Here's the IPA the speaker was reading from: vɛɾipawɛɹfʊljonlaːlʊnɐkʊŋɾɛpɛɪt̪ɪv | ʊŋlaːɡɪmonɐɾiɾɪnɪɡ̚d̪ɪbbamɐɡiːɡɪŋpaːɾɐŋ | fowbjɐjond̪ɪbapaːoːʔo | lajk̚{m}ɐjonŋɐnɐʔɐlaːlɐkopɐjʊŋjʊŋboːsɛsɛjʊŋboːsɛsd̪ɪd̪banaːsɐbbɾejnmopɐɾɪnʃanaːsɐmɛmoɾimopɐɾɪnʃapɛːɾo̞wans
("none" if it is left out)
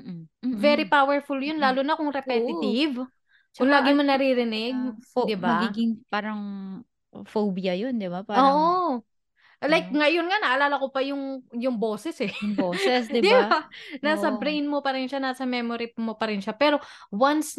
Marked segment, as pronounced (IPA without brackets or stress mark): ŋ